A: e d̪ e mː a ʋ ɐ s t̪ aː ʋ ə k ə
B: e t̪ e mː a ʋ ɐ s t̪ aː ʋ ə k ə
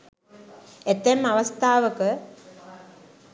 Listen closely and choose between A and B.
B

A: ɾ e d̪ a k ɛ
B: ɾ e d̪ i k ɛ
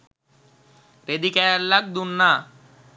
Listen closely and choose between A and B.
B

